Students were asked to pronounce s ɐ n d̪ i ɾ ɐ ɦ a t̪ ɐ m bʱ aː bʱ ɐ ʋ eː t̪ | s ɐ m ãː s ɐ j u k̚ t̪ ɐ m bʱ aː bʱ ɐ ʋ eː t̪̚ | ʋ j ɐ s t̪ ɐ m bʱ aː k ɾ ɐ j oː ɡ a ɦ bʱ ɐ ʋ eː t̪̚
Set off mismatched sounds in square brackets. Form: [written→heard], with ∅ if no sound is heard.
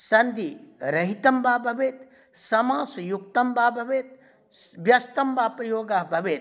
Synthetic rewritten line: s ɐ n d̪ i ɾ ɐ ɦ [a→i] t̪ ɐ m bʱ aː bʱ ɐ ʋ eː t̪ | s ɐ m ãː s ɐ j u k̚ t̪ ɐ m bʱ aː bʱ ɐ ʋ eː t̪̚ | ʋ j ɐ s t̪ ɐ m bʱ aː [k→p] ɾ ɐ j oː ɡ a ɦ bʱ ɐ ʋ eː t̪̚

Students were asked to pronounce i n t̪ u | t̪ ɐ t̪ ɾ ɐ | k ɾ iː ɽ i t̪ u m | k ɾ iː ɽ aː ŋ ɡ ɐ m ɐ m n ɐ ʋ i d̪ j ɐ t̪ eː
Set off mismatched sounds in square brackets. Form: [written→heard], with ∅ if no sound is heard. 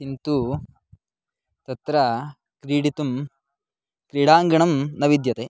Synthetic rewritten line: i n t̪ u | t̪ ɐ t̪ ɾ ɐ | k ɾ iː ɽ i t̪ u m | k ɾ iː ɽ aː ŋ ɡ ɐ [m→ɳ] ɐ m n ɐ ʋ i d̪ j ɐ t̪ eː

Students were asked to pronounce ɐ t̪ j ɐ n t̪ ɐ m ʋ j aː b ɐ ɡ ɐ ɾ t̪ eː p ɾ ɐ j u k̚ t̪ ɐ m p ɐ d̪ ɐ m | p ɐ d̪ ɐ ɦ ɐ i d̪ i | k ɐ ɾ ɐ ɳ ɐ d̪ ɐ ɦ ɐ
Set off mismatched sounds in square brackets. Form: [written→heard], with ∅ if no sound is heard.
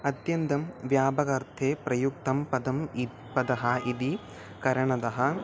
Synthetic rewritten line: ɐ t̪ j ɐ n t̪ ɐ m ʋ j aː b ɐ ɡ ɐ ɾ [t̪→t̪ʰ] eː p ɾ ɐ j u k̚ t̪ ɐ m p ɐ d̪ ɐ m | p ɐ d̪ ɐ ɦ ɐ i d̪ i | k ɐ ɾ ɐ ɳ ɐ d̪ ɐ ɦ ɐ

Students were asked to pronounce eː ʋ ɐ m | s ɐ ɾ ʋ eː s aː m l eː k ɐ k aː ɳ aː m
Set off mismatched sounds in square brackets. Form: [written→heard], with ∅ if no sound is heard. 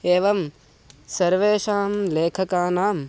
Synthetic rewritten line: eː ʋ ɐ m | s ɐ ɾ ʋ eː [s→ʃ] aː m l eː [k→kʰ] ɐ k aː [ɳ→n] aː m

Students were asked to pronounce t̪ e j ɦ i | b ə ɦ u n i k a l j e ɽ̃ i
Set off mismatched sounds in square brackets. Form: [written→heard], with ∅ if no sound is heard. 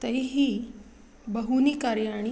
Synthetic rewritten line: t̪ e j ɦ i | b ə ɦ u n i k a [l→ɾ] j [e→a] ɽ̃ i

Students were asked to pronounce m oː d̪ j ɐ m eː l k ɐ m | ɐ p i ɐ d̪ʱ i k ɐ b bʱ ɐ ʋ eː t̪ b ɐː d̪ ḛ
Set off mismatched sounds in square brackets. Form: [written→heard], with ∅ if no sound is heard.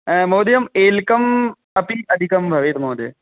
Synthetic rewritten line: m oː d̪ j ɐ m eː l k ɐ m | ɐ p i ɐ d̪ʱ i k ɐ [b→m] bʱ ɐ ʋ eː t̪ [b→m] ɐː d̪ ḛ

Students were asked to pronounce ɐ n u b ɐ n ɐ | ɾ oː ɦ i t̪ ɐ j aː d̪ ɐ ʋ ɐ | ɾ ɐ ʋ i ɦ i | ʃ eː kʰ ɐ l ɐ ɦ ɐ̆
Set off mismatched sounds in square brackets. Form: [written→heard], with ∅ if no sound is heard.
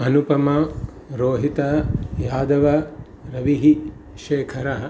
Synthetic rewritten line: ɐ n u [b→p] ɐ [n→m] ɐ | ɾ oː ɦ i t̪ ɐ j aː d̪ ɐ ʋ ɐ | ɾ ɐ ʋ i ɦ i | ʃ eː kʰ ɐ [l→ɾ] ɐ ɦ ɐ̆

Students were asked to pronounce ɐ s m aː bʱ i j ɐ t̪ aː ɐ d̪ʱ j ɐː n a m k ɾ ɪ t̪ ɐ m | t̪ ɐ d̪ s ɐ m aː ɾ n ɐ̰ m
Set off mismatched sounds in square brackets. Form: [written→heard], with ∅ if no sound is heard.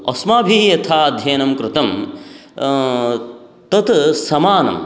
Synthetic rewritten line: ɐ s m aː bʱ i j ɐ [t̪→t̪ʰ] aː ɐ d̪ʱ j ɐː n [a→ɐ] m k ɾ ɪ t̪ ɐ m | t̪ ɐ [d̪→t̪] s ɐ m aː [ɾ→∅] n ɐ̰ m

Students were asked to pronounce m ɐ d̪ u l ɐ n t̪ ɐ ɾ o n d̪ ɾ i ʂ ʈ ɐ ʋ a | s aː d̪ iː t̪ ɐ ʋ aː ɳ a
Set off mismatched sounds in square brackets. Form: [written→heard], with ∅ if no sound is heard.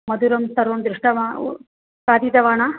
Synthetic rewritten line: m ɐ d̪ u [l→ɾ] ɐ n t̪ ɐ ɾ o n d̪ ɾ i ʂ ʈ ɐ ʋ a | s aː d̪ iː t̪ ɐ ʋ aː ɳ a

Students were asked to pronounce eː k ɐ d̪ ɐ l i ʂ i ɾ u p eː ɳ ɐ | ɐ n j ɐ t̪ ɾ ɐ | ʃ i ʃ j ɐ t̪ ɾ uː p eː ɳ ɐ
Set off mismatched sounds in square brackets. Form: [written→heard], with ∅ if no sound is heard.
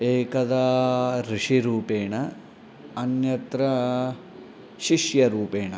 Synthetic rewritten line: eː k ɐ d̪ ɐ [l→ɾ] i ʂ i ɾ [u→uː] p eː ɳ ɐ | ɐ n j ɐ t̪ ɾ ɐ | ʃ i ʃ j ɐ [t̪→∅] ɾ uː p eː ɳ ɐ

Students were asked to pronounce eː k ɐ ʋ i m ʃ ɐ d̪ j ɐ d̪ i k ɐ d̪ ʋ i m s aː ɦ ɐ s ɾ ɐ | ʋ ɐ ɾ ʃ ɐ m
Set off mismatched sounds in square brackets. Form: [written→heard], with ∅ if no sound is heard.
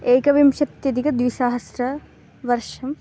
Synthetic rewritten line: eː k ɐ ʋ i m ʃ ɐ [d̪→t̪] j ɐ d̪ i k ɐ d̪ ʋ i [m→∅] s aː ɦ ɐ s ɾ ɐ | ʋ ɐ ɾ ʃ ɐ m

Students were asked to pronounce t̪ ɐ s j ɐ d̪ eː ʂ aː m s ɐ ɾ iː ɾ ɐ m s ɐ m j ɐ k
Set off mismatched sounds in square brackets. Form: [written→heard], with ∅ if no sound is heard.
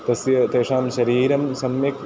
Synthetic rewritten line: t̪ ɐ s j ɐ [d̪→t̪] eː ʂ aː m [s→ʃ] ɐ ɾ iː ɾ ɐ m s ɐ m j ɐ k

